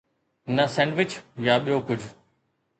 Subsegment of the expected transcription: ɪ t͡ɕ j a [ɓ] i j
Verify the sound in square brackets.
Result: correct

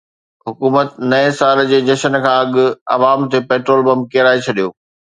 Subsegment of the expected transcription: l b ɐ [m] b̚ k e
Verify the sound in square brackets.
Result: correct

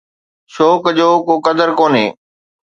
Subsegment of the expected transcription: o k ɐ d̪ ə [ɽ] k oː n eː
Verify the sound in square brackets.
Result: incorrect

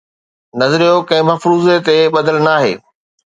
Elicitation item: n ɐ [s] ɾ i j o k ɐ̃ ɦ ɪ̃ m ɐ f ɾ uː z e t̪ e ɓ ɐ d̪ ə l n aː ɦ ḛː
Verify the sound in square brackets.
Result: incorrect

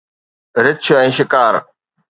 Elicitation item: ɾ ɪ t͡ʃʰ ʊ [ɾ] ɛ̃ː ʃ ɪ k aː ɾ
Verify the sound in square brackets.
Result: incorrect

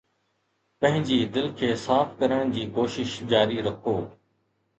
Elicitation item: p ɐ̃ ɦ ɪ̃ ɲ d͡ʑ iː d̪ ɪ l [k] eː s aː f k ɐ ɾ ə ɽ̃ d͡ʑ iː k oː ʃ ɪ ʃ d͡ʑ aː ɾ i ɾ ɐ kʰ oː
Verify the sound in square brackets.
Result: incorrect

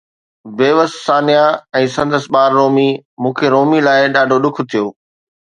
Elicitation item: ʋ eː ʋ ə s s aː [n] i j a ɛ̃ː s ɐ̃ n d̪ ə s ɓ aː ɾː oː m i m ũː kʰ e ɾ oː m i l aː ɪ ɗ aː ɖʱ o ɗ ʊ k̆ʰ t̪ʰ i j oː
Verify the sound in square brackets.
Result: correct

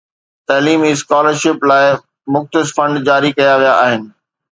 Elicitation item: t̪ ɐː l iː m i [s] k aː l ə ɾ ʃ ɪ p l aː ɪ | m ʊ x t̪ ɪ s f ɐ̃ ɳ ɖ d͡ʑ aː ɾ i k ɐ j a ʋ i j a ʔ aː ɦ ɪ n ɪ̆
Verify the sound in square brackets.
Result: correct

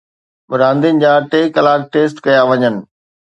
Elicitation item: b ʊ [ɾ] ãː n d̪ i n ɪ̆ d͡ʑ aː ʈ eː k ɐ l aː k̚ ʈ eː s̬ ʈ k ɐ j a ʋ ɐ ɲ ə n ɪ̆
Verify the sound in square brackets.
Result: correct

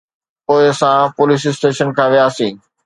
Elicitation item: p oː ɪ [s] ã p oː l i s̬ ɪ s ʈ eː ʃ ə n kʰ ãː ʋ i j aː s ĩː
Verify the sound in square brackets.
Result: correct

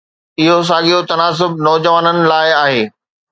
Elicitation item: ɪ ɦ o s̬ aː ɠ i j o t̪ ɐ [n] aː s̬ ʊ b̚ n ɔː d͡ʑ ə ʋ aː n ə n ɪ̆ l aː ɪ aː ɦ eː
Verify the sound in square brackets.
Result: correct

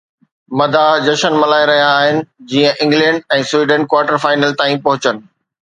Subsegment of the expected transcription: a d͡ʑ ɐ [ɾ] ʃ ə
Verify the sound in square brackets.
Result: incorrect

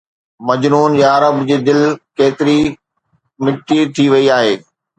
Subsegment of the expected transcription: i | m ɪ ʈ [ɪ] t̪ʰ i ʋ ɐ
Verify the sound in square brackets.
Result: incorrect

